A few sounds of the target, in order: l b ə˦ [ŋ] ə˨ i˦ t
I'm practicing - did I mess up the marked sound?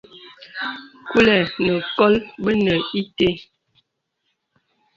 yes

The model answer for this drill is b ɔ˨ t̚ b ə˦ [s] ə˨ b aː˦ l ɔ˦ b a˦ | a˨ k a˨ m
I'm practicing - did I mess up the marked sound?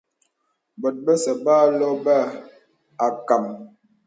no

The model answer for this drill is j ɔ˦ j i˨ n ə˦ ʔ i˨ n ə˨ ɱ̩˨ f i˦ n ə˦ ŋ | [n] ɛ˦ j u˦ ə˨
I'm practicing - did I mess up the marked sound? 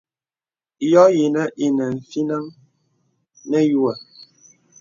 no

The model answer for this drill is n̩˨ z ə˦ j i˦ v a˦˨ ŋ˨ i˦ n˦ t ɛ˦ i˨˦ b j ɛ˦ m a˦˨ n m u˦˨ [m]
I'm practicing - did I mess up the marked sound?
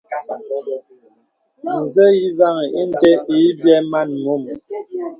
no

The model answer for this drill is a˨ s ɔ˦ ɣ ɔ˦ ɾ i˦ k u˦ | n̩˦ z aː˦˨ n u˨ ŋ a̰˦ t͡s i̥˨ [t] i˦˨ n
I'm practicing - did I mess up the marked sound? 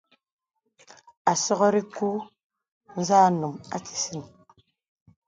yes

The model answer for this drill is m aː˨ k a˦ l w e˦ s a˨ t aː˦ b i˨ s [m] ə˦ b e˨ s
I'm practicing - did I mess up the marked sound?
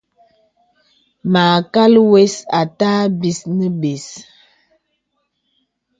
yes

